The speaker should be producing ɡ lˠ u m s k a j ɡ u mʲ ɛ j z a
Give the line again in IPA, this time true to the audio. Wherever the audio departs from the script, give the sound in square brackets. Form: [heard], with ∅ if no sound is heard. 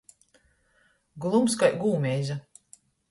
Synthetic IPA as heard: ɡ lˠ u m s k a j ɡ [uː] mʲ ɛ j z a